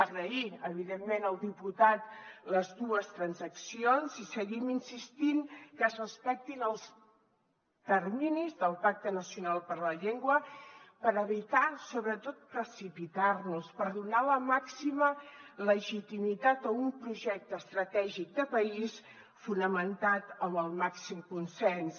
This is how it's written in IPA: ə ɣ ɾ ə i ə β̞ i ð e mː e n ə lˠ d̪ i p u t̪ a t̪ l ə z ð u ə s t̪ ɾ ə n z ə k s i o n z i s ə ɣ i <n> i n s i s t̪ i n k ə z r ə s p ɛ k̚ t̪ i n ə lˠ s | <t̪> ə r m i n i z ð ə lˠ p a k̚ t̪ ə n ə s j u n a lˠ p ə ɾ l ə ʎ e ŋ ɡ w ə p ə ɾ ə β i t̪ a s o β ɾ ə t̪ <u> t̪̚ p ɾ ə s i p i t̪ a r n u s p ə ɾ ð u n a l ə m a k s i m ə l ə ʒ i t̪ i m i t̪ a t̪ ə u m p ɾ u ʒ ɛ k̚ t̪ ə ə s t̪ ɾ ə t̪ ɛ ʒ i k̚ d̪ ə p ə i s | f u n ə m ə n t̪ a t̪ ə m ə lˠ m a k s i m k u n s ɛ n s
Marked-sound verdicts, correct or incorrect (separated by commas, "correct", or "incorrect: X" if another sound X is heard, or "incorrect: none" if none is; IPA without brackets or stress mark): incorrect: m, correct, incorrect: o